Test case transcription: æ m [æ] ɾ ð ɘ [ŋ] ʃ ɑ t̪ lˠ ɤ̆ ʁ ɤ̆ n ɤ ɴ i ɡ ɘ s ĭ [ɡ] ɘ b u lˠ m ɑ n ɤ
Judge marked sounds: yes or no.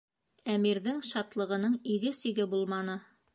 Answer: no, yes, yes

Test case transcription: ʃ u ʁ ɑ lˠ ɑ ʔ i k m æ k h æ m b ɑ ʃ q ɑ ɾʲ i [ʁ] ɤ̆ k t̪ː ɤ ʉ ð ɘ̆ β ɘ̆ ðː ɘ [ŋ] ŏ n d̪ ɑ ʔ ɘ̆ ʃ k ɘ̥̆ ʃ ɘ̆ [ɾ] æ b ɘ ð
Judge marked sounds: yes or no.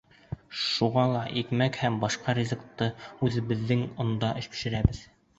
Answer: no, yes, yes

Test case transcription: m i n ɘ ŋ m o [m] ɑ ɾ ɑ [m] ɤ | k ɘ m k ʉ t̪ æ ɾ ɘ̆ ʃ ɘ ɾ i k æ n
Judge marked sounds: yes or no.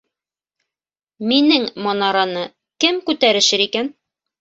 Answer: no, no

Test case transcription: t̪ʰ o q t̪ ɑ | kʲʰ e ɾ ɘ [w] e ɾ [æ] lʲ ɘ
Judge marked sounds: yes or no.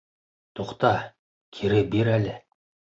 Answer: no, yes

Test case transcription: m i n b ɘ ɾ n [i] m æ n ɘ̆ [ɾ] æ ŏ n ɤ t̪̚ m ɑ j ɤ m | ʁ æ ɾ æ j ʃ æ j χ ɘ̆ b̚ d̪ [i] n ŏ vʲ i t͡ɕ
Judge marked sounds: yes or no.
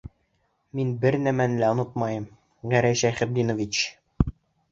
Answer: no, no, yes

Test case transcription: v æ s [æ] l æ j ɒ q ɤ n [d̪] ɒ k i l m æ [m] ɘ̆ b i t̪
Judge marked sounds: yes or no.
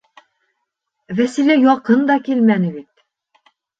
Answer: no, yes, no

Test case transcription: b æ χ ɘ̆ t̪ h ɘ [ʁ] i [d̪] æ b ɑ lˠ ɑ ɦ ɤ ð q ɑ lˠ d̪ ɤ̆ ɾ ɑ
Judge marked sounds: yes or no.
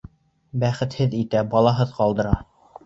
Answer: no, no

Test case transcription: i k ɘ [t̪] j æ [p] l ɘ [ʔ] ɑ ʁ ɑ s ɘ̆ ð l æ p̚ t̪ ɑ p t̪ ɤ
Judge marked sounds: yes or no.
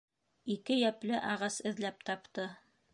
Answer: no, yes, yes

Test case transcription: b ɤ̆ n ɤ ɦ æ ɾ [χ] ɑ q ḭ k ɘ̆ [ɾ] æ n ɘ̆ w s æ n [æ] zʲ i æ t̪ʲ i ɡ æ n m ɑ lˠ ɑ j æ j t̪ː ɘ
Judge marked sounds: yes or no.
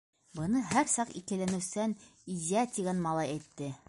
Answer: no, no, no

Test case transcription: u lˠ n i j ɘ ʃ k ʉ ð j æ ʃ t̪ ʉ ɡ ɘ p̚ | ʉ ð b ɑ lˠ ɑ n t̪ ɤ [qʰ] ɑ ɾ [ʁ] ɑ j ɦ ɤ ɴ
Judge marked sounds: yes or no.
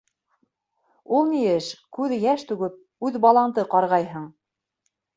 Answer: no, yes

